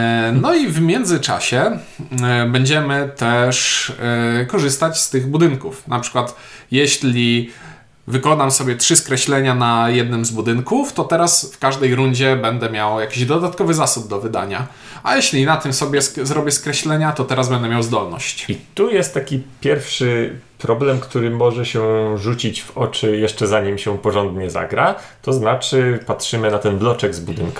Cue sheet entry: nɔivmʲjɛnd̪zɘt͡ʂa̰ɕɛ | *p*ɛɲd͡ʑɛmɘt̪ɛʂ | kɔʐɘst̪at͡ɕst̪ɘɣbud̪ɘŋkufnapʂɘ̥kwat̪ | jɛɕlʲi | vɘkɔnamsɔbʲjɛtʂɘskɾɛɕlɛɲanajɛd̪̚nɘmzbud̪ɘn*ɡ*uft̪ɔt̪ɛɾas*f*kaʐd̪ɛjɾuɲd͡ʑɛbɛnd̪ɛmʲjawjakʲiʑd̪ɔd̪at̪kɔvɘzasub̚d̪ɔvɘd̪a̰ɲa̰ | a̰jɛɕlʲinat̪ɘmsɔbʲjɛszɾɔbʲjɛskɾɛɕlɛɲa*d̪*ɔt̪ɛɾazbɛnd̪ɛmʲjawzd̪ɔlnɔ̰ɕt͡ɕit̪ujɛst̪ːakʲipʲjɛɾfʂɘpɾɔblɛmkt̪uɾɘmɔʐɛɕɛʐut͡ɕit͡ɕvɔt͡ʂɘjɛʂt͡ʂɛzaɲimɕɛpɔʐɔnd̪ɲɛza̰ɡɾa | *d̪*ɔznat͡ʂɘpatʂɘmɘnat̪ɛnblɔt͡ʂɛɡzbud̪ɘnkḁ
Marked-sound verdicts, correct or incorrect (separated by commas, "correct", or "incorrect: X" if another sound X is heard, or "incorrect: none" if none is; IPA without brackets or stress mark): incorrect: b, incorrect: k, correct, incorrect: t̪, incorrect: t̪